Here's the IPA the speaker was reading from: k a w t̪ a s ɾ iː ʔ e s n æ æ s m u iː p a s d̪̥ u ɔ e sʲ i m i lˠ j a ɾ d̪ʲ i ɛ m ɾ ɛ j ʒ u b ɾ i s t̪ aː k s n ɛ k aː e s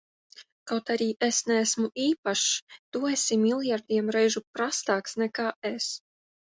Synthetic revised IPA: k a w t̪ a ɾ iː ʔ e s n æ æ s m u iː p a ʃ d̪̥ u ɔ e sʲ i m i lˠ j a ɾ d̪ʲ i ɛ m ɾ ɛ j ʒ u p ɾ a s t̪ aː k s n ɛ k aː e s

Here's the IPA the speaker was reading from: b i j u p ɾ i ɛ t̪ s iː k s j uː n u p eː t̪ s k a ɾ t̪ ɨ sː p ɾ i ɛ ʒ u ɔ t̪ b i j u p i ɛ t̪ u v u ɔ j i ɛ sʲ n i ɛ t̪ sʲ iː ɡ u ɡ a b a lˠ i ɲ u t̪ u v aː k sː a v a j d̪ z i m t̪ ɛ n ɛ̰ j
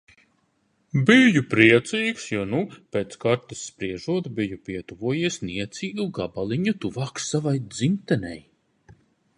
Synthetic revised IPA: b i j u p ɾ i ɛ t̪ s iː k s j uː n u p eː t̪ s k a ɾ t̪ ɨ sː p ɾ i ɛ ʒ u ɔ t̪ b i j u p i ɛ t̪ u v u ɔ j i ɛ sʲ n i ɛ t̪ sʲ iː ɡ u ɡ a b a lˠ i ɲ u t̪ u v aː k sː a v a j d̪ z i m t̪ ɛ n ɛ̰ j

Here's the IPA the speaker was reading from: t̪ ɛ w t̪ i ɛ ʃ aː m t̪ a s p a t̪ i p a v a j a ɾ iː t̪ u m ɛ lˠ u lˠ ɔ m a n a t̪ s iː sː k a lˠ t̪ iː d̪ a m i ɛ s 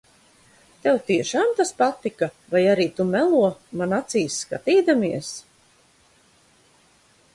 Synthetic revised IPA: t̪ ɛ w t̪ i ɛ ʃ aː m t̪ a s p a t̪ i k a v a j a ɾ iː t̪ u m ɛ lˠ u ɔ m a n a t̪ s iː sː k a t̪ iː d̪ a m i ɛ s

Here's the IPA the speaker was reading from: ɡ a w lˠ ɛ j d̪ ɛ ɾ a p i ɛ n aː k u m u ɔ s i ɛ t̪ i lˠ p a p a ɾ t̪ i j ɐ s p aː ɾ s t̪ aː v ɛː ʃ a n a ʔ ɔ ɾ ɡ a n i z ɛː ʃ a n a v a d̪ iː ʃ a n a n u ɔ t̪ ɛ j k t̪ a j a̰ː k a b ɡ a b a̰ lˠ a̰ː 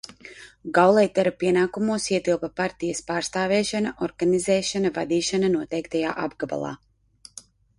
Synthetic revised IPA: ɡ a w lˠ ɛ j t̪ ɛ ɾ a p i ɛ n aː k u m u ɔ s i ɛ t̪ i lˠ p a p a ɾ t̪ i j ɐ s p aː ɾ s t̪ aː v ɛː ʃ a n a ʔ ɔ ɾ ɡ a n i z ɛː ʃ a n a v a d̪ iː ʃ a n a n u ɔ t̪ ɛ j k t̪ a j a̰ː ʔ a b ɡ a b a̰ lˠ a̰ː

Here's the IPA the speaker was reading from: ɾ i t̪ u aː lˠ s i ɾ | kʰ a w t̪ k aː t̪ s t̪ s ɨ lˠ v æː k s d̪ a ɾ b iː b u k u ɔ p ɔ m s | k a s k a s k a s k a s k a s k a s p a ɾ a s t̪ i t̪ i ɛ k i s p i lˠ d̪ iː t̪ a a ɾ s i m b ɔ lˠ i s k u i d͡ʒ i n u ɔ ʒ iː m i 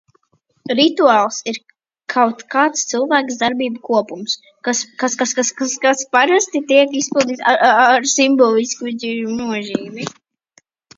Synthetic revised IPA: ɾ i t̪ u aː lˠ s i ɾ | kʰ a w t̪ k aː t̪ s t̪ s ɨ lˠ v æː k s d̪ a ɾ b iː b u k u ɔ p u m s | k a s k a s k a s k a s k a s k a s p a ɾ a s t̪ i t̪ i ɛ k i s p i lˠ d̪ iː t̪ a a ɾ s i m b ɔ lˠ i s k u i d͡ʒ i n u ɔ ʒ iː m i

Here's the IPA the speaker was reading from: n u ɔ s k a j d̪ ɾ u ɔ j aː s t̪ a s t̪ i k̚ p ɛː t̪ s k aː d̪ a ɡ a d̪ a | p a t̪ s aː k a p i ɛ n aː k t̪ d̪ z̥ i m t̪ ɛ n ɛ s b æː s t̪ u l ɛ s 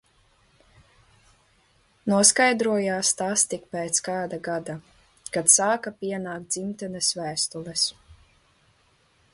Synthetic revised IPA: n u ɔ s k a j d̪ ɾ u ɔ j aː s t̪ a s t̪ i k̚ p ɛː t̪ s k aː d̪ a ɡ a d̪ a | k a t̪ s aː k a p i ɛ n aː k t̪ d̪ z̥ i m t̪ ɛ n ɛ s v æː s t̪ u l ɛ s

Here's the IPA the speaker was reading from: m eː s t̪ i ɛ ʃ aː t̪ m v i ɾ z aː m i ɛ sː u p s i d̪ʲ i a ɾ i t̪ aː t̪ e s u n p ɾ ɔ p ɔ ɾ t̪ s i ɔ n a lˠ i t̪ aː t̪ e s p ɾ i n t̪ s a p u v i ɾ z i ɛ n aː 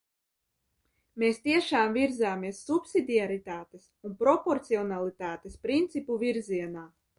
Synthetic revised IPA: m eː s t̪ i ɛ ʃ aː m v i ɾ z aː m i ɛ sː u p s i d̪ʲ i a ɾ i t̪ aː t̪ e s u n p ɾ ɔ p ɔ ɾ t̪ s i ɔ n a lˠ i t̪ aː t̪ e s p ɾ i n t̪ s i p u v i ɾ z i ɛ n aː

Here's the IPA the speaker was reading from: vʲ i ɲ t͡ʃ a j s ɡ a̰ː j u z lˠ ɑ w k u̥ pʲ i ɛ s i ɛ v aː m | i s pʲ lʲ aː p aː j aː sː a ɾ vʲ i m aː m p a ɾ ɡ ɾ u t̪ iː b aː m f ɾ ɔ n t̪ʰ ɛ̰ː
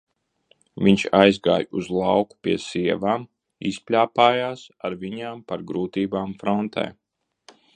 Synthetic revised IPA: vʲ i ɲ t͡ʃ a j z ɡ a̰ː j u z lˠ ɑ w k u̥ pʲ i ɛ s i ɛ v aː m | i s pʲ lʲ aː p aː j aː s a ɾ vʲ i ɲ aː m p a ɾ ɡ ɾ uː t̪ iː b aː m f ɾ ɔ n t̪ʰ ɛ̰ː

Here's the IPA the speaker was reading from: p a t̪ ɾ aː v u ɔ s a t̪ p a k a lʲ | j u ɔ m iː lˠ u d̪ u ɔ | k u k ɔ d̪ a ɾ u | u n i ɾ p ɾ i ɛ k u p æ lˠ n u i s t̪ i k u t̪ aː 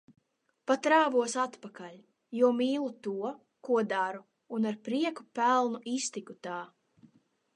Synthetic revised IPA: p a t̪ ɾ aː v u ɔ s a t̪ p a k a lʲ | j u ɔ m iː lˠ u t̪ u ɔ | k u ɔ d̪ a ɾ u | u n a ɾ p ɾ i ɛ k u p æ lˠ n u i s t̪ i k u t̪ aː

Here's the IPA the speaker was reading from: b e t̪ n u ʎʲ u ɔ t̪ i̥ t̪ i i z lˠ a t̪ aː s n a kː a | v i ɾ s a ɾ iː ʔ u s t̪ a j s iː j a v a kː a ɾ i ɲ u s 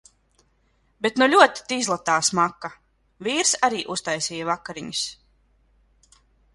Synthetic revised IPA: b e t̪ n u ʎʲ u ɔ t̪ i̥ t̪ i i z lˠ a t̪ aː s m a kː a | v iː ɾ s a ɾ iː ʔ u s t̪ a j s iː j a v a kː a ɾ i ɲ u s

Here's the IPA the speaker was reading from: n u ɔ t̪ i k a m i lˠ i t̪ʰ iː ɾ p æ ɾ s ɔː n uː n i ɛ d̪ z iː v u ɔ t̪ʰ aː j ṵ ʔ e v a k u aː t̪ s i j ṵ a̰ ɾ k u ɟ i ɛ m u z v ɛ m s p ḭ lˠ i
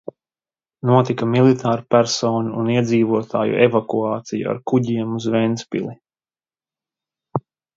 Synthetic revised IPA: n u ɔ t̪ i k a m i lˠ i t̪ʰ aː ɾ p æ ɾ s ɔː n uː n i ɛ d̪ z iː v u ɔ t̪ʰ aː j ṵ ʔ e v a k u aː t̪ s i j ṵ a̰ ɾ k u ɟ i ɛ m u z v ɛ n s p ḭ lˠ i

